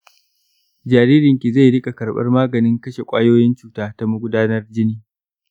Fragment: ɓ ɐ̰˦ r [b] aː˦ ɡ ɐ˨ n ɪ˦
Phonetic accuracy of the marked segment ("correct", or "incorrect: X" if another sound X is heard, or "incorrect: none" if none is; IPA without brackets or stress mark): incorrect: m